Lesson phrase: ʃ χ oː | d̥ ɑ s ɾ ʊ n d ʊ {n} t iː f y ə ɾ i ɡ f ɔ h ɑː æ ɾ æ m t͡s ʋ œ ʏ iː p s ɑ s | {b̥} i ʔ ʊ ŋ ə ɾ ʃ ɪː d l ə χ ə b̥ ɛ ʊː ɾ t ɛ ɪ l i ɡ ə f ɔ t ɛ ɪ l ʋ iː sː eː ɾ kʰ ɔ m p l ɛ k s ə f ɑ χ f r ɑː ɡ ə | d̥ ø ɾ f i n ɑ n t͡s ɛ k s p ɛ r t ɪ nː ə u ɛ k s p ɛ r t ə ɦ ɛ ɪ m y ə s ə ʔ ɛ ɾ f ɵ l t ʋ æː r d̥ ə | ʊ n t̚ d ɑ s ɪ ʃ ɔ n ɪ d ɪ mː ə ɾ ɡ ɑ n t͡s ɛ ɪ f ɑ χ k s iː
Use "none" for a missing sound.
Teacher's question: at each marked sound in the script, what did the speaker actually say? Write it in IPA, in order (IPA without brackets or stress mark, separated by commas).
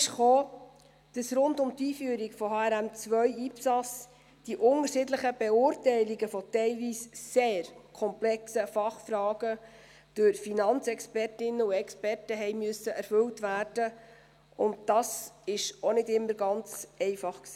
m, d̥